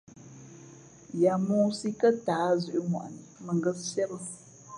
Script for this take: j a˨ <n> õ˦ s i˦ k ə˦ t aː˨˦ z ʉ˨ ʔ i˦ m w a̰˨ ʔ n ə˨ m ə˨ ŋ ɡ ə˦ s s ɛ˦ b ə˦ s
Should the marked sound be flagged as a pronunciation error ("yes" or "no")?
yes